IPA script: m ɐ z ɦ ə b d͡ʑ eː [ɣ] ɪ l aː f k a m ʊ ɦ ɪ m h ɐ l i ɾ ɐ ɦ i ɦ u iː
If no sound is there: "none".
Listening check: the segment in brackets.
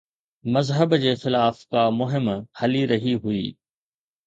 x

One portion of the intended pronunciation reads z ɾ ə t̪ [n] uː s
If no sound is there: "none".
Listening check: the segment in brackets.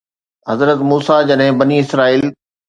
m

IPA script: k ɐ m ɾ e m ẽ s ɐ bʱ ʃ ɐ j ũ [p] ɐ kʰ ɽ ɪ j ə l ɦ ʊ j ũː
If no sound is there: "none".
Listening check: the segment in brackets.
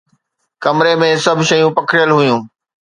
p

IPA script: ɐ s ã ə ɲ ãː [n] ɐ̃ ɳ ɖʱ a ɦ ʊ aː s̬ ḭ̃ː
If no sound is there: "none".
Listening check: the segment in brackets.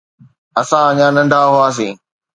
n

